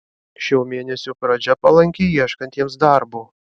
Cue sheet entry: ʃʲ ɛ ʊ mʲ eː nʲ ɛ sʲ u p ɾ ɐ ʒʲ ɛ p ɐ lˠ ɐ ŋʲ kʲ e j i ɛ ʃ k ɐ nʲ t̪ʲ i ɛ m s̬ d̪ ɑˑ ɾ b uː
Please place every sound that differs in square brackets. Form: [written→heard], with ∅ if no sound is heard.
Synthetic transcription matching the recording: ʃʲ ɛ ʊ mʲ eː nʲ ɛ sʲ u p ɾ ɐ [ʒʲ→d͡ʒʲ] ɛ p ɐ lˠ ɐ ŋʲ kʲ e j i ɛ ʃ k ɐ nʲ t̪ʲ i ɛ m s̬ d̪ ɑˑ ɾ b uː